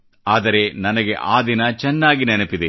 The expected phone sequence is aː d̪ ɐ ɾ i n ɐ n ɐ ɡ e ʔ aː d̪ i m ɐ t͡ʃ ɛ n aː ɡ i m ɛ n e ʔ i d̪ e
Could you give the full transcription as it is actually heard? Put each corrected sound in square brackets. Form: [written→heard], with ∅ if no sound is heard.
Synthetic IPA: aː d̪ ɐ ɾ [i→e] n ɐ n ɐ ɡ e ʔ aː d̪ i [m→n] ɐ t͡ʃ ɛ [n→nː] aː ɡ i [m→n] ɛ n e [ʔ→p] i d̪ e